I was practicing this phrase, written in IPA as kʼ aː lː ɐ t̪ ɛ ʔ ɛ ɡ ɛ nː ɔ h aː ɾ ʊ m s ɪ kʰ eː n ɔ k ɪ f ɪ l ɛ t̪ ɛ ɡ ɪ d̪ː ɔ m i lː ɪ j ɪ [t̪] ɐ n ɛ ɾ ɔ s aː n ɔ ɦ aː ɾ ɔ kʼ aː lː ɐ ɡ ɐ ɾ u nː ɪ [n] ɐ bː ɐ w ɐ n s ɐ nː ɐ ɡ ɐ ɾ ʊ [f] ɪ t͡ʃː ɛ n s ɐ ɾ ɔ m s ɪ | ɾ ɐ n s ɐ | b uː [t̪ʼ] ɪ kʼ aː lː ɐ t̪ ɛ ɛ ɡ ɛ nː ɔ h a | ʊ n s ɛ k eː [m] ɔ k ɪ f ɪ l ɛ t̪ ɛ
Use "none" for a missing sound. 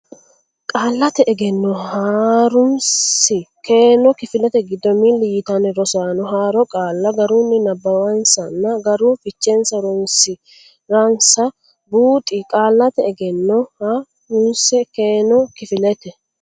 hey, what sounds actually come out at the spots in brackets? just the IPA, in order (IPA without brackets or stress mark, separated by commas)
t̪, n, f, t̪ʼ, n